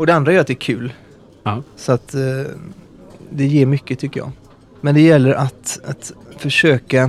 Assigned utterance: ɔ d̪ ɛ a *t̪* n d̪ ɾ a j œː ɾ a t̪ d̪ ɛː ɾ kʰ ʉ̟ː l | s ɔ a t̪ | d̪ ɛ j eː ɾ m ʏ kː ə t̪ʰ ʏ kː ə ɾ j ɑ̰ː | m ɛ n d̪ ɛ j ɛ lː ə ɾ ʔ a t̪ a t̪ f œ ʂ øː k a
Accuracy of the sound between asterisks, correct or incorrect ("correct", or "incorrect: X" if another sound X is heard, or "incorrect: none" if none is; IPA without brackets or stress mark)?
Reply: incorrect: none